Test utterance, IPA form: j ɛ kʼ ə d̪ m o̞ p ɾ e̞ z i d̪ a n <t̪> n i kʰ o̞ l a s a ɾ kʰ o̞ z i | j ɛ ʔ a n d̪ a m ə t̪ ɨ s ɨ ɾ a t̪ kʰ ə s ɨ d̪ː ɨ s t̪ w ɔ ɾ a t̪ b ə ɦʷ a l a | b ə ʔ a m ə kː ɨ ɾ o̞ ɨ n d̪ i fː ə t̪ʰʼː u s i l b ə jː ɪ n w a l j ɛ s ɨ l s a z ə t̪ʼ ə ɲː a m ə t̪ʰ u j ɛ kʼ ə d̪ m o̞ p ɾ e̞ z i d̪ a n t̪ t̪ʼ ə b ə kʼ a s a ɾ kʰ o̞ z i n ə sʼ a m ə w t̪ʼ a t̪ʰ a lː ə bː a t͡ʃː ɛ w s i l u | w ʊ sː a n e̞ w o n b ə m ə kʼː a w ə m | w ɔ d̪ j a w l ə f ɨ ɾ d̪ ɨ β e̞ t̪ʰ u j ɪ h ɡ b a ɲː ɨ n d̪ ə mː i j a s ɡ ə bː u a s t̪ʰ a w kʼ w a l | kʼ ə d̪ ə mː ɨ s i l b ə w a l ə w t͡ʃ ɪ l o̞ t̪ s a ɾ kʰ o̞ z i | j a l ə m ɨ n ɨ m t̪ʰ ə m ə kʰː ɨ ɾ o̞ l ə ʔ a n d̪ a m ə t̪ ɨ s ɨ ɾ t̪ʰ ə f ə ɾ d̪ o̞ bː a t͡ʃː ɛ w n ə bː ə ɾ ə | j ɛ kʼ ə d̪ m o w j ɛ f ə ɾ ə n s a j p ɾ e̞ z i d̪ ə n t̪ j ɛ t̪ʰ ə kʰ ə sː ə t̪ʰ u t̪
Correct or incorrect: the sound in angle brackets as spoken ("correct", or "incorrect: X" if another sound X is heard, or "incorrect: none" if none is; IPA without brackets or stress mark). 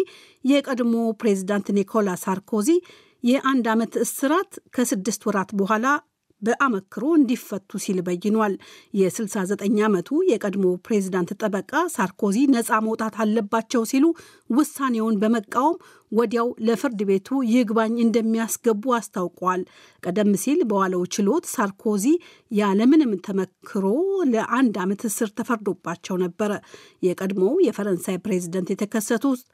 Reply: correct